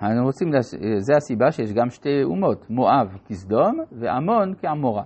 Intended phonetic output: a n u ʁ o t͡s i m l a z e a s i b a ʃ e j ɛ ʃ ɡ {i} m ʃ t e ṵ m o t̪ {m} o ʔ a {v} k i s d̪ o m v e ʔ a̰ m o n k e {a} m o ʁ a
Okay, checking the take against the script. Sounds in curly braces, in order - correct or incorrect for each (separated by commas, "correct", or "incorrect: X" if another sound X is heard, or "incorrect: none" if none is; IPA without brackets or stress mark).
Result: incorrect: a, correct, correct, correct